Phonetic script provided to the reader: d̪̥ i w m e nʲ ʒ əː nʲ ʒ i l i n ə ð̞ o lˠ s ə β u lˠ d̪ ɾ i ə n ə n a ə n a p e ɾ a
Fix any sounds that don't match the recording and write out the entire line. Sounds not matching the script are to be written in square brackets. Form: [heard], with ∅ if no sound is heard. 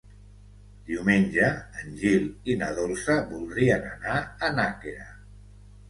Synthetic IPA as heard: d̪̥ i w m e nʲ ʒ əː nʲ ʒ i l i n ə ð̞ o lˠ s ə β u lˠ d̪ ɾ i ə n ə n a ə n a [k] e ɾ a